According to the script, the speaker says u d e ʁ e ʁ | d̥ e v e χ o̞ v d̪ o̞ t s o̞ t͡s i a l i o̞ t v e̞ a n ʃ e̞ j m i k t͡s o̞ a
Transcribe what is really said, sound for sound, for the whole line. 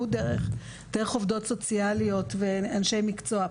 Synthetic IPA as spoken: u d e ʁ e χ | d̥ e ʁ e χ o̞ v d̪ o̞ t s o̞ t͡s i a l i o̞ t v e̞ a n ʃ e̞ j m i k t͡s o̞ a